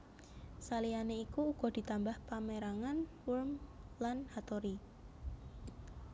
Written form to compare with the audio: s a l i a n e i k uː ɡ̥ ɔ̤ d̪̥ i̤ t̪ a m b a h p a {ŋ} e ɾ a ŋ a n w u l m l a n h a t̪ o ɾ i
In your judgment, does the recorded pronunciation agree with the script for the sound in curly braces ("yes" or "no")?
no